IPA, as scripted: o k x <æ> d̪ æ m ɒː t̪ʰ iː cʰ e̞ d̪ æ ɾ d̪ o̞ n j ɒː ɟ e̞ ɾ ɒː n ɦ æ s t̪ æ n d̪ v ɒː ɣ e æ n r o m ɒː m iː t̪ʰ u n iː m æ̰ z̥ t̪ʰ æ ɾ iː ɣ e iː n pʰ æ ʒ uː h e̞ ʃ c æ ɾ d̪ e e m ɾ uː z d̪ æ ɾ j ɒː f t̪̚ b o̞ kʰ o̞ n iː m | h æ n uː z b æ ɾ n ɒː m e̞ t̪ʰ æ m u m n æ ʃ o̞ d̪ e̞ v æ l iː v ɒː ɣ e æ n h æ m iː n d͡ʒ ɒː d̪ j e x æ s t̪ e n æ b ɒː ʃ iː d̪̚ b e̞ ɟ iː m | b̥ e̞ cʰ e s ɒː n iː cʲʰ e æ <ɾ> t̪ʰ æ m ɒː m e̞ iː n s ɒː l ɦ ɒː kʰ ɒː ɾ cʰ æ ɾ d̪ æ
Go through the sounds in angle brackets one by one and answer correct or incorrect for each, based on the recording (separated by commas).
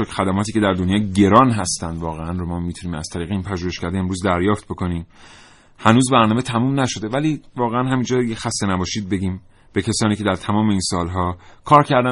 correct, correct